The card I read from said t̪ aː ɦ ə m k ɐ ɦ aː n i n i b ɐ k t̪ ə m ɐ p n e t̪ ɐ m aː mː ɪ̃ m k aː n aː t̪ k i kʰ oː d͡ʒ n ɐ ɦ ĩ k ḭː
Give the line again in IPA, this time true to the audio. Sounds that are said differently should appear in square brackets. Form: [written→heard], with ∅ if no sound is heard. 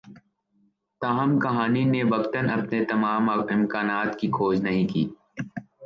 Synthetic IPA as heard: t̪ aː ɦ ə m k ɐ ɦ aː n i n [i→e] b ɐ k t̪ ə [m→n] ɐ p n e t̪ ɐ m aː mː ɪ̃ m k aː n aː t̪ k i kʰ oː d͡ʒ n ɐ ɦ ĩ k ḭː